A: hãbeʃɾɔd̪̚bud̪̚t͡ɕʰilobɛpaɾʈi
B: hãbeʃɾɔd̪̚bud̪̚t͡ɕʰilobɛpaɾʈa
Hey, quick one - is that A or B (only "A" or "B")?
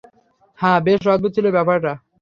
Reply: B